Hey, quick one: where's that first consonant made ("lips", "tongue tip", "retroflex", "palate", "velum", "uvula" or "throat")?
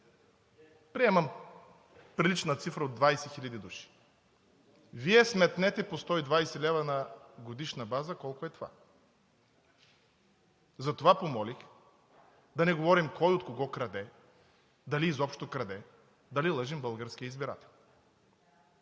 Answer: lips